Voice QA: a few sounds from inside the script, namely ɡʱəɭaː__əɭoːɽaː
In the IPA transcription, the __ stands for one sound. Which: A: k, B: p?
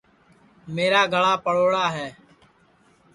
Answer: B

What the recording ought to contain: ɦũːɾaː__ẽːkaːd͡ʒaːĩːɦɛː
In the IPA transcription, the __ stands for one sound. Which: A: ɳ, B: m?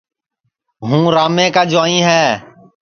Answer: B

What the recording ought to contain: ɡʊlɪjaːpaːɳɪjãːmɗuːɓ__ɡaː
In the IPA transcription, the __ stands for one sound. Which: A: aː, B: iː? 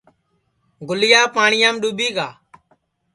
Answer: B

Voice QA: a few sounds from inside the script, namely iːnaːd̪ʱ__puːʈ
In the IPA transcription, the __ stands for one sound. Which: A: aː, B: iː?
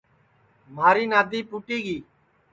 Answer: B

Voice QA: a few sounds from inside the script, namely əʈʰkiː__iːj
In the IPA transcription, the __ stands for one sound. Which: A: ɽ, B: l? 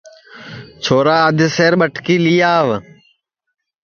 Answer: B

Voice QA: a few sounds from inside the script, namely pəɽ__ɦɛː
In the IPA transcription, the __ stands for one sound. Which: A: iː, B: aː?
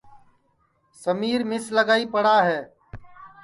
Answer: B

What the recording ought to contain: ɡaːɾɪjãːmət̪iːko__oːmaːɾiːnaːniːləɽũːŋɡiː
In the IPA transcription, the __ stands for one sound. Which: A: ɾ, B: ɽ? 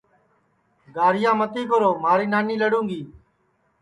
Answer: A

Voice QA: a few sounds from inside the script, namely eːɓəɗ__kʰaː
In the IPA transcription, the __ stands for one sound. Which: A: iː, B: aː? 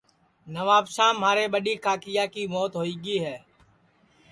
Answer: A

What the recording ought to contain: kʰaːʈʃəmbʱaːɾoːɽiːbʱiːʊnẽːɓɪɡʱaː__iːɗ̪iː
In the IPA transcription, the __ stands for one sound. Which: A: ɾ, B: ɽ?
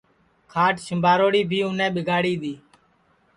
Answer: B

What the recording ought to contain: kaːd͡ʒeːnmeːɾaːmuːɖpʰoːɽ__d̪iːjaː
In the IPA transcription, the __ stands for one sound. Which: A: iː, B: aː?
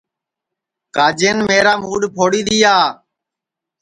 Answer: A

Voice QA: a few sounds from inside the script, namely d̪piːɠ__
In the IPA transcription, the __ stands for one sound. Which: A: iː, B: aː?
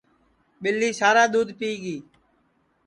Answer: A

